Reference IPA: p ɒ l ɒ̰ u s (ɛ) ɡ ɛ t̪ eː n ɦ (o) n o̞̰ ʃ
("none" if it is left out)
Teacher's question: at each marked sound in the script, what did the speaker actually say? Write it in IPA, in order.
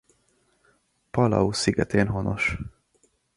i, o

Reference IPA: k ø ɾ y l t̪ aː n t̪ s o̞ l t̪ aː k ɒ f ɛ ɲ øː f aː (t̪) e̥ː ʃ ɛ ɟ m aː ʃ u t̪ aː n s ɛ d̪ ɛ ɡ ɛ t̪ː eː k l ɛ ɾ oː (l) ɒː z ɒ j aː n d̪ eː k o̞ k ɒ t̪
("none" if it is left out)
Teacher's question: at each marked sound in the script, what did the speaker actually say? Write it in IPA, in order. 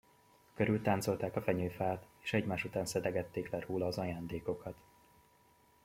t̪, l

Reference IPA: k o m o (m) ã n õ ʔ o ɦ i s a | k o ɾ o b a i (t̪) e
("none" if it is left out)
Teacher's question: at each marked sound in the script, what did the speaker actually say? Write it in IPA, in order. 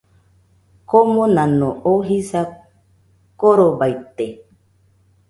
n, t̪

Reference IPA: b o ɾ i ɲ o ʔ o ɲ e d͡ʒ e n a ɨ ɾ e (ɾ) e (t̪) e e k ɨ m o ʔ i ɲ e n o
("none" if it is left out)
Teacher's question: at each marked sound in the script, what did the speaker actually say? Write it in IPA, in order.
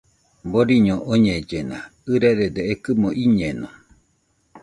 ɾ, d̪

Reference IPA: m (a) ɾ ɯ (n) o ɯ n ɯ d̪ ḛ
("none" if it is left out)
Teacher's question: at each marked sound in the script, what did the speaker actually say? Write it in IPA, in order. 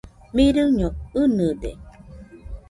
i, ɲ

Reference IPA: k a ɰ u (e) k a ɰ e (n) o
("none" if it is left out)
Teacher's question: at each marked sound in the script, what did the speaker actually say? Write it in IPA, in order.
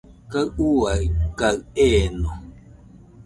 a, n

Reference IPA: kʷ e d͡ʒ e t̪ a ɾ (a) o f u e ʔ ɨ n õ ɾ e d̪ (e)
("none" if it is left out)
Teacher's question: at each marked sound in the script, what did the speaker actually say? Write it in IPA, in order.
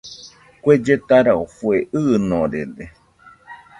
a, e

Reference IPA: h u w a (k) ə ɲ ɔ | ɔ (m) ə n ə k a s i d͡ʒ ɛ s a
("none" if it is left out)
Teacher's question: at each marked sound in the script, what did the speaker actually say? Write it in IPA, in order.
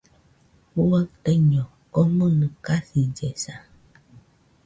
t, m

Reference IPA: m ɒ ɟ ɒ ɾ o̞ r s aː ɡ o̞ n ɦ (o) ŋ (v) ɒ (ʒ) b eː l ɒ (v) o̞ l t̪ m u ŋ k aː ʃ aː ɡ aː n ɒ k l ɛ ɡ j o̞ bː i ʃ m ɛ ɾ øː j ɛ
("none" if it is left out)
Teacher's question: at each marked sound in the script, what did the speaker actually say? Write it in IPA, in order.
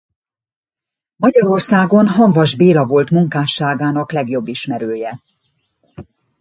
ɒ, v, ʒ, v

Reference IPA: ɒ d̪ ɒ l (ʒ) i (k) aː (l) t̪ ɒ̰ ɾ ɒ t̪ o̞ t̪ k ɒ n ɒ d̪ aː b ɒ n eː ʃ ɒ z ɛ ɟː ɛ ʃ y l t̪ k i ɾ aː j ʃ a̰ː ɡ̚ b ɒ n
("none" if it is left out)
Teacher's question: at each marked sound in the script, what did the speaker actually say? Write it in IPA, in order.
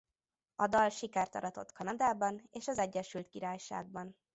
ʃ, k, r

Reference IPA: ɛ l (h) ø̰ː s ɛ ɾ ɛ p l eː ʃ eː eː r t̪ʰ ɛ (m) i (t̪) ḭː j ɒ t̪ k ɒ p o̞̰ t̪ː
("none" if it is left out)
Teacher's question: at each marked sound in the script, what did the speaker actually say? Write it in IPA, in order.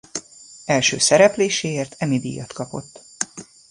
ʃ, m, d̪

